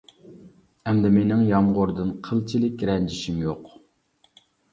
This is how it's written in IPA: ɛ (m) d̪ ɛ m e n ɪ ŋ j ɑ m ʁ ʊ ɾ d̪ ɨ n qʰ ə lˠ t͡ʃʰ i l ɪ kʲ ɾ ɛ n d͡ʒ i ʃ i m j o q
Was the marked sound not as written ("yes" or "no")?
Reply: no